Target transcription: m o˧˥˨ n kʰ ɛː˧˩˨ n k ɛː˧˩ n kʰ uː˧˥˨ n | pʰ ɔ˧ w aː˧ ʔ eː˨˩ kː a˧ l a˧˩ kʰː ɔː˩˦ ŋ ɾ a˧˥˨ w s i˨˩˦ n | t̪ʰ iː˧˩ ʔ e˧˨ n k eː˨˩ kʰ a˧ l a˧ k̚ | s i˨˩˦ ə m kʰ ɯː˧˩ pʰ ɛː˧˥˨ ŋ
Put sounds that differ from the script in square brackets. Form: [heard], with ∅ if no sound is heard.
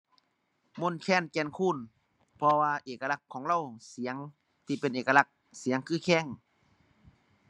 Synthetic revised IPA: m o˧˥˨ n kʰ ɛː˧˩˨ n k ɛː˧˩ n kʰ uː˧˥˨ n | pʰ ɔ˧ w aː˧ ʔ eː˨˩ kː a˧ l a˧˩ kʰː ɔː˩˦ ŋ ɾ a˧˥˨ w s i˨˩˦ [ŋ] | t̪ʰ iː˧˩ [p] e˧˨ n [ʔ] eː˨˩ [k] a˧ l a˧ k̚ | s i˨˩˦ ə [ŋ] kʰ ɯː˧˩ [kʰ] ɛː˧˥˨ ŋ